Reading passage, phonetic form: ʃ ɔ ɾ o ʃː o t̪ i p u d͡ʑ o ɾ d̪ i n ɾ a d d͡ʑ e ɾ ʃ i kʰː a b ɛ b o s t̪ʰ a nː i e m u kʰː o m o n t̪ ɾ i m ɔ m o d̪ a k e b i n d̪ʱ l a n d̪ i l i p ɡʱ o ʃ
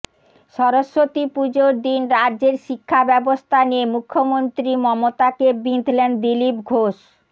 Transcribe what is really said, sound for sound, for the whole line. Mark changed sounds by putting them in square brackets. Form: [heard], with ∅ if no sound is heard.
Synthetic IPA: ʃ ɔ ɾ o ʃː o t̪ i p u d͡ʑ o ɾ d̪ i n ɾ a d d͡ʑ e ɾ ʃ i kʰː a b ɛ b o s t̪ʰ a [n] i e m u kʰː o m o n t̪ ɾ i m ɔ m o [t̪] a k e b i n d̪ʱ l [e] n d̪ i l i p ɡʱ o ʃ